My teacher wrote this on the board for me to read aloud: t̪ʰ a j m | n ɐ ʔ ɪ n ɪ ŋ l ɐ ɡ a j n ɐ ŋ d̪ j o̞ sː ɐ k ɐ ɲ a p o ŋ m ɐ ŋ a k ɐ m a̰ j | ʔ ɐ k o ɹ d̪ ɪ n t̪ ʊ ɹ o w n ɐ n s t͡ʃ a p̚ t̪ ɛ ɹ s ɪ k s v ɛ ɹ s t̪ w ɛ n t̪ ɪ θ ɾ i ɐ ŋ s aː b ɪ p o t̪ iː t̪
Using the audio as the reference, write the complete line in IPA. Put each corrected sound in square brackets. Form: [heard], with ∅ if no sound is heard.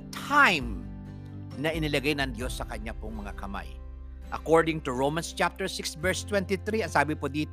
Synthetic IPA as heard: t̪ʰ a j m | n ɐ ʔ ɪ n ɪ [∅] l ɐ ɡ a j n ɐ ŋ d̪ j o̞ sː ɐ k ɐ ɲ a p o ŋ m ɐ ŋ a k ɐ m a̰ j | ʔ ɐ k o ɹ d̪ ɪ [ŋ] t̪ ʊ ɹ o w [m] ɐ n s t͡ʃ a p̚ t̪ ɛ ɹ s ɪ k s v ɛ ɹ s t̪ w ɛ n t̪ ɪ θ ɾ i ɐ ŋ s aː b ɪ p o [d̪] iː t̪